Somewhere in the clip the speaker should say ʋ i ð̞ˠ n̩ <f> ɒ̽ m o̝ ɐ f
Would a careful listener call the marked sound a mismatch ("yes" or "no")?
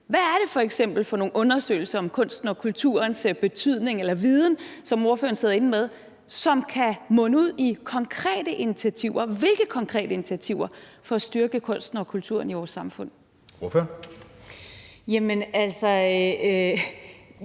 yes